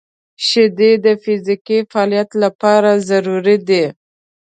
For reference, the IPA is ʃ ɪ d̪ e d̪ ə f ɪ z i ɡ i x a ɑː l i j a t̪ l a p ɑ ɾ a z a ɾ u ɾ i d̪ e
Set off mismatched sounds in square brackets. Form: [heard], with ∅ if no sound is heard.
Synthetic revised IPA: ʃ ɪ d̪ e d̪ ə f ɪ z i [k] i [f] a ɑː l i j a t̪ l a p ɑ ɾ a z a ɾ u ɾ i d̪ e